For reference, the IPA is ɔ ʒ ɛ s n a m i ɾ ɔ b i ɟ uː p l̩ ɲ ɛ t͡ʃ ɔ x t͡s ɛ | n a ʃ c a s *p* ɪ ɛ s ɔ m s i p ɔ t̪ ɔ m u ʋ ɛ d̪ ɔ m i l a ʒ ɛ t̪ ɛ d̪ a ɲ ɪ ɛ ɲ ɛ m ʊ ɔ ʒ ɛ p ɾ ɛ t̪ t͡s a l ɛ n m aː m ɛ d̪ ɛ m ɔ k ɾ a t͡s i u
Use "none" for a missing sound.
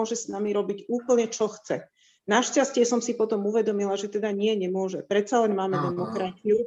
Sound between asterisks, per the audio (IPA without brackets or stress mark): c